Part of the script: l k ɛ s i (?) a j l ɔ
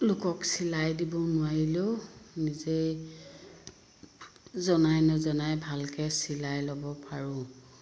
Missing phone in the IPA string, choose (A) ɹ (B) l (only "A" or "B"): B